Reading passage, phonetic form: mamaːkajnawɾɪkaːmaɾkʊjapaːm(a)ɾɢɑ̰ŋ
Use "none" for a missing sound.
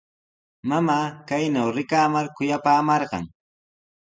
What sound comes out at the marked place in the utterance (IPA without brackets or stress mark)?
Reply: ɑ